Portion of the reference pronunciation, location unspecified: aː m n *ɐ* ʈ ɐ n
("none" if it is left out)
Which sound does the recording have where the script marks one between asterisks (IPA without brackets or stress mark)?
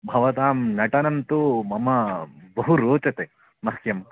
ɐ